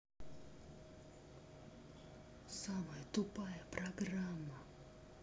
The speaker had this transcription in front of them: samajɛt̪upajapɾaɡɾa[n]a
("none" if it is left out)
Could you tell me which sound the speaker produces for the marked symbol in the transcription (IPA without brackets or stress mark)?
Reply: m